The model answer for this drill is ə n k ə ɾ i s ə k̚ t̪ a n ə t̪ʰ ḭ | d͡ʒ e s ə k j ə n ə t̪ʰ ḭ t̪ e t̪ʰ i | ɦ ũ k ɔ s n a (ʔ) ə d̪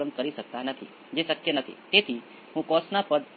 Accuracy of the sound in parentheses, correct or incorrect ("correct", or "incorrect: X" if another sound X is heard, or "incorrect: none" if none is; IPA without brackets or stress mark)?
incorrect: p